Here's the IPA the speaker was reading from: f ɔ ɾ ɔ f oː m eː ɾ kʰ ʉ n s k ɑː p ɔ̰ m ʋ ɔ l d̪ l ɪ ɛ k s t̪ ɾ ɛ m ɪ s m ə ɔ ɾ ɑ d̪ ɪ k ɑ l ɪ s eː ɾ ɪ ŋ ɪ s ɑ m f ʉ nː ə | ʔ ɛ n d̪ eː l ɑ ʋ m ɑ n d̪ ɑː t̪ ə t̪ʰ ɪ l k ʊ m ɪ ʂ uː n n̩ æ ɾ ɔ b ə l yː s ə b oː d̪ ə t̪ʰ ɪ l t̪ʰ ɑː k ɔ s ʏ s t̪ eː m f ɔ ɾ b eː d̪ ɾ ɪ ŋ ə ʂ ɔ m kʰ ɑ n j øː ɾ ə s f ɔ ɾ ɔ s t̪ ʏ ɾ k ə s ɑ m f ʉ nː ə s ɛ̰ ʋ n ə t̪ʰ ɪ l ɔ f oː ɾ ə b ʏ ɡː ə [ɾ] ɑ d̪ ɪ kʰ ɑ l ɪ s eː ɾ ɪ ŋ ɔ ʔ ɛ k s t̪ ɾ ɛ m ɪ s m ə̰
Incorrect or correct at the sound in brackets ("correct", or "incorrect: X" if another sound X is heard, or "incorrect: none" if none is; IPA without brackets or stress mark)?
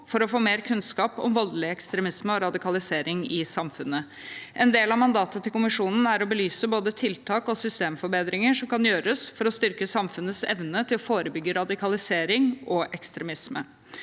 correct